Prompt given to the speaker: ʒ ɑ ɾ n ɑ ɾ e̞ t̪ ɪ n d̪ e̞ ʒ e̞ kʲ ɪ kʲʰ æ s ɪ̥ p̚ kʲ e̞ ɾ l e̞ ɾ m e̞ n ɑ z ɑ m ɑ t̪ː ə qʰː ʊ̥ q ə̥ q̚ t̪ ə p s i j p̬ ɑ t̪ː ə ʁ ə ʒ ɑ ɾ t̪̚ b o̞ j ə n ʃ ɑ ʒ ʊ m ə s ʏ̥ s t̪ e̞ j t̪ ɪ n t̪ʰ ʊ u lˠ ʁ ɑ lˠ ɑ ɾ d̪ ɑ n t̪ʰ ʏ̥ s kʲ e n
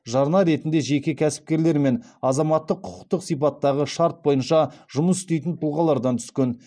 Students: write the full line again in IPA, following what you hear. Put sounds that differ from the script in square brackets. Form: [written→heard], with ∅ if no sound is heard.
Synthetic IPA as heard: ʒ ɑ ɾ n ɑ ɾ e̞ t̪ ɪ n d̪ e̞ ʒ e̞ kʲ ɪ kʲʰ æ s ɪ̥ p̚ kʲ e̞ ɾ l e̞ ɾ m e̞ n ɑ z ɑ m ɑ t̪ː ə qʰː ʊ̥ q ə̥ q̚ t̪ ə [p→q] s i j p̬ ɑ t̪ː [ə→ɑ] ʁ ə [ʒ→ʃ] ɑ ɾ t̪̚ b o̞ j ə n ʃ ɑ ʒ ʊ m ə s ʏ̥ s t̪ e̞ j t̪ ɪ n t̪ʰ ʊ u lˠ ʁ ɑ lˠ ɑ ɾ d̪ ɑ n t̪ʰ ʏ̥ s kʲ e n